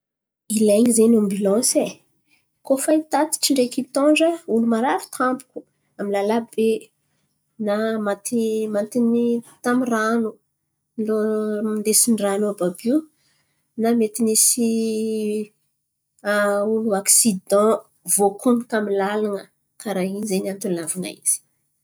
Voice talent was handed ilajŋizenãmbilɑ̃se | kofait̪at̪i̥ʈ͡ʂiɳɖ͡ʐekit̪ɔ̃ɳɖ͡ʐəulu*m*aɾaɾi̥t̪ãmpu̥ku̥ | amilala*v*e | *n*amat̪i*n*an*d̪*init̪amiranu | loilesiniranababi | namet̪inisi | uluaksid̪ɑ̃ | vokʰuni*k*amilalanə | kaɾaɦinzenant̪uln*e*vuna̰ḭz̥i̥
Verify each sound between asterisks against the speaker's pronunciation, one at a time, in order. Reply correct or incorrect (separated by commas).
correct, incorrect, correct, incorrect, incorrect, correct, incorrect